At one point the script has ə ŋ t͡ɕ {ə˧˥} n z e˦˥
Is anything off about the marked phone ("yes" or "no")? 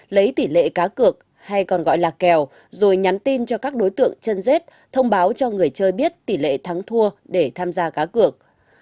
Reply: yes